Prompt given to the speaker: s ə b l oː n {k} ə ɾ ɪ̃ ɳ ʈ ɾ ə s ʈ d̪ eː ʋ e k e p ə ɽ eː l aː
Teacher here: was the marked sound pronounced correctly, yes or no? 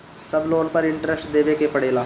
no